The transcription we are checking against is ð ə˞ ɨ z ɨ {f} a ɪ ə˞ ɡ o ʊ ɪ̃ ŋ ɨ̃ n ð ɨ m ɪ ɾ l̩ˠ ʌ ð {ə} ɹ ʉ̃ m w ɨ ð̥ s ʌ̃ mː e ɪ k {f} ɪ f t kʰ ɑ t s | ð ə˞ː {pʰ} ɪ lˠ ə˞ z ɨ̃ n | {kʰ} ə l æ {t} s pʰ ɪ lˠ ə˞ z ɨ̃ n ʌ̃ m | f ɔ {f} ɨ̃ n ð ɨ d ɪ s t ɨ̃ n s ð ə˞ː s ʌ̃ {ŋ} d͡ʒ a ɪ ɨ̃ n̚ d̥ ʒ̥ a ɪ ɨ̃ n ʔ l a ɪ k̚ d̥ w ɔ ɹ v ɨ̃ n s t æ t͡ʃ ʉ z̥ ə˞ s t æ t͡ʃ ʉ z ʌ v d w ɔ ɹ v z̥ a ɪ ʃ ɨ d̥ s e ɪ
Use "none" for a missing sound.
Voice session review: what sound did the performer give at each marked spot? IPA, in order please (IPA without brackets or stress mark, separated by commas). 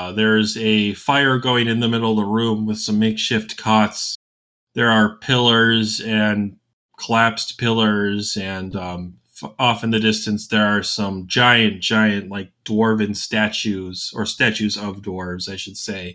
f, ə, ʃ, pʰ, kʰ, p, f, m